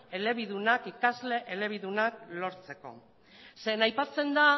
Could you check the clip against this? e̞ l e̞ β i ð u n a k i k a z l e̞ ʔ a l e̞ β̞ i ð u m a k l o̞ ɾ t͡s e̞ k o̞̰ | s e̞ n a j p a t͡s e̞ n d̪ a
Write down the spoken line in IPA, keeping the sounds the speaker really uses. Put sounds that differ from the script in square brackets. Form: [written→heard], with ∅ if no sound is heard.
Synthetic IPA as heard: e̞ l e̞ β i ð u n a k i k a z l e̞ ʔ [a→e] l e̞ β̞ i ð u [m→n] a k l o̞ ɾ t͡s e̞ k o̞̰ | s e̞ n a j p a t͡s e̞ n d̪ a

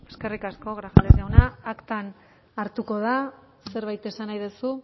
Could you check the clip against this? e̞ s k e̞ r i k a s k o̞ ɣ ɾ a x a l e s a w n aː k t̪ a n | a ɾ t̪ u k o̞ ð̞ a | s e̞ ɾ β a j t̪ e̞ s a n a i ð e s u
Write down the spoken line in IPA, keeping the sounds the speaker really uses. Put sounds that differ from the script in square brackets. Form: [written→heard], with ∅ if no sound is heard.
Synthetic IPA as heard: e̞ s k e̞ r i k a s k o̞ ɣ ɾ a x a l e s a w n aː k t̪ a n | a ɾ t̪ u k o̞ ð̞ a | s e̞ ɾ β a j t̪ e̞ s a n a [i→j] ð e s u

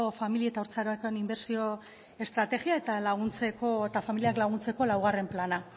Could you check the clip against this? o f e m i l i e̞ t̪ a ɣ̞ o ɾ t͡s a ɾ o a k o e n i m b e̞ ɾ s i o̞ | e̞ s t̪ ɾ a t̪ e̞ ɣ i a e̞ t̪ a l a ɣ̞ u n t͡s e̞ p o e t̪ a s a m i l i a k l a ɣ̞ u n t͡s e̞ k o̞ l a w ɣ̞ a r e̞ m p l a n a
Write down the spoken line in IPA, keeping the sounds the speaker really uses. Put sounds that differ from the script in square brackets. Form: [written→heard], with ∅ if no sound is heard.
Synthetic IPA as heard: o f [e→a] m i l i e̞ t̪ a [ɣ̞→∅] o ɾ t͡s a ɾ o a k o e n i m b e̞ ɾ s i o̞ | e̞ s t̪ ɾ a t̪ e̞ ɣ i a e̞ t̪ a l a ɣ̞ u n t͡s e̞ [p→k] o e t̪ a [s→f] a m i l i a k l a ɣ̞ u n t͡s e̞ k o̞ l a w ɣ̞ a r e̞ m p l a n a

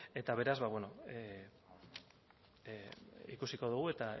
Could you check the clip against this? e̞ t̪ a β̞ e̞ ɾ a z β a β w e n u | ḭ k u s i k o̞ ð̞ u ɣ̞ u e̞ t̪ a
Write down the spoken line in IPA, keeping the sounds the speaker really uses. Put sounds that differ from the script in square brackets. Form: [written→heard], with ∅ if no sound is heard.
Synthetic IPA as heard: e̞ t̪ a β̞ e̞ ɾ a z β a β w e n [u→o] | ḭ k u s i k o̞ ð̞ u ɣ̞ u e̞ t̪ a

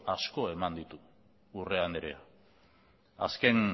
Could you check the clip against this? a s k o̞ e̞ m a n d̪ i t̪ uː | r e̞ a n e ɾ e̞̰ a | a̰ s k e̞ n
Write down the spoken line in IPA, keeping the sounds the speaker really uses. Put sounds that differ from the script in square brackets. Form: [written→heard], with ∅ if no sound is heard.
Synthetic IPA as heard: a s k o̞ e̞ m a n d̪ i t̪ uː | r e̞ a n e ɾ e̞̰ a | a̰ s k e̞ n

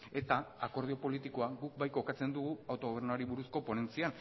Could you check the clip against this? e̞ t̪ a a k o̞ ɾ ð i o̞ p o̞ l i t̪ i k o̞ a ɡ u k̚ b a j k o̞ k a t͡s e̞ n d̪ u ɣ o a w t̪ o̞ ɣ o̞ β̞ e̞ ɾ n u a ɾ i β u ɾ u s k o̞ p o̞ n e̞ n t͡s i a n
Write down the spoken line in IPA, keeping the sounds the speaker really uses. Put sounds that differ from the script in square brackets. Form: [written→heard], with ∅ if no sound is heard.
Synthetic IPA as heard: e̞ t̪ a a k o̞ ɾ ð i o̞ p o̞ l i t̪ i k o̞ a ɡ u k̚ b a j k o̞ k a t͡s e̞ n d̪ u ɣ [o→u] a w t̪ o̞ ɣ o̞ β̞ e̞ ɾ n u a ɾ i β u ɾ u s k o̞ p o̞ n e̞ n t͡s i a n

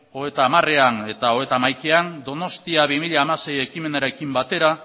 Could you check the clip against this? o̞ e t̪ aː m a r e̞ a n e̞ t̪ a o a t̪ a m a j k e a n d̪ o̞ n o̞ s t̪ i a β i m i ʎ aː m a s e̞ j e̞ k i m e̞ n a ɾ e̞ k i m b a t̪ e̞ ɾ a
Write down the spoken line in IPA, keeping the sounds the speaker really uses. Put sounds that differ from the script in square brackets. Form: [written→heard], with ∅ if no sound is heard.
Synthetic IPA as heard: o̞ e t̪ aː m a r e̞ a n e̞ t̪ a o [a→e] t̪ a m a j k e a n d̪ o̞ n o̞ s t̪ i a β i m i ʎ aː m a s e̞ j e̞ k i m e̞ n a ɾ e̞ k i m b a t̪ e̞ ɾ a

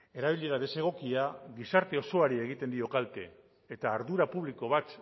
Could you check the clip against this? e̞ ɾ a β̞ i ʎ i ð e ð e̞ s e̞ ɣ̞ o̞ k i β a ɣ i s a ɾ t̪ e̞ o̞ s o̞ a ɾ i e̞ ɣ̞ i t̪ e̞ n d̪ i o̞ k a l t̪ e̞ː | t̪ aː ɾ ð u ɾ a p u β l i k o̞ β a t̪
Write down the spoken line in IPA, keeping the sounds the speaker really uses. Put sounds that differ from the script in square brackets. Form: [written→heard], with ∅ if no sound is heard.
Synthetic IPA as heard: e̞ ɾ a β̞ i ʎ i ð [e→a] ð e̞ s e̞ ɣ̞ o̞ k i [β→∅] a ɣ i s a ɾ t̪ e̞ o̞ s o̞ a ɾ i e̞ ɣ̞ i t̪ e̞ n d̪ i o̞ k a l t̪ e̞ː | t̪ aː ɾ ð u ɾ a p u β l i k o̞ β a t̪

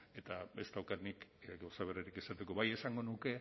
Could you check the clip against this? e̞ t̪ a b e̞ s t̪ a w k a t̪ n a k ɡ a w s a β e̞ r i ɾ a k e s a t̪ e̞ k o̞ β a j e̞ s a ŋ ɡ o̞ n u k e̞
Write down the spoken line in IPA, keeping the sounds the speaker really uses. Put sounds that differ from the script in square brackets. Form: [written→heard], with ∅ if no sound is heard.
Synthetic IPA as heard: e̞ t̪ a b e̞ s t̪ a w k a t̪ n [a→i] k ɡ a w s a β e̞ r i ɾ [a→i] k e s a t̪ e̞ k o̞ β a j e̞ s a ŋ ɡ o̞ n u k e̞

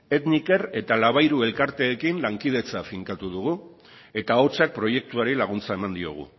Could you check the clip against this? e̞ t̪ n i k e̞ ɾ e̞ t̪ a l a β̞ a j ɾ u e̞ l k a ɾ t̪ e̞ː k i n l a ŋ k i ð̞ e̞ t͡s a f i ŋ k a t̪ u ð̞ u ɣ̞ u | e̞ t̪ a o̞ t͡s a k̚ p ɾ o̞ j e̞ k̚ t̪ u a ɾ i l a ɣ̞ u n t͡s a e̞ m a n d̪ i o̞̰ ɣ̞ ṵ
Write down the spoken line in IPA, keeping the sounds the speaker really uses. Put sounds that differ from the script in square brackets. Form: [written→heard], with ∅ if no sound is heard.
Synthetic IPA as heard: e̞ t̪ n i k e̞ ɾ e̞ t̪ a l a β̞ a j ɾ u e̞ l k a ɾ t̪ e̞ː k i n l a ŋ k i ð̞ e̞ t͡s a f i ŋ k a t̪ u ð̞ u ɣ̞ u | e̞ t̪ a o̞ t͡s a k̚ p ɾ o̞ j e̞ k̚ t̪ u a ɾ i l a ɣ̞ u n t͡s a e̞ m a n d̪ i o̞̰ ɣ̞ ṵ

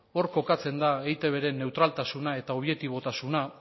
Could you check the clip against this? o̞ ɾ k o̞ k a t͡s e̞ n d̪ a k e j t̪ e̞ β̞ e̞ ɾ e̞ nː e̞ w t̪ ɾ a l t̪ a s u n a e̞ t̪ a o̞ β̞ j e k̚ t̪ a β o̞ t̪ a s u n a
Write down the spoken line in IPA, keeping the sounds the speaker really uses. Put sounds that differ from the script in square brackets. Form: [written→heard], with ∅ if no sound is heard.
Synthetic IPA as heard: o̞ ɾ k o̞ k a t͡s e̞ n d̪ a [k→∅] e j t̪ e̞ β̞ e̞ ɾ e̞ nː e̞ w t̪ ɾ a l t̪ a s u n a e̞ t̪ a o̞ β̞ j e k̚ t̪ [a→i] β o̞ t̪ a s u n a

